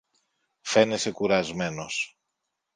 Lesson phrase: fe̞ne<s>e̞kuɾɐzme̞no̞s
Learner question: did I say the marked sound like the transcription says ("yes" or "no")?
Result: yes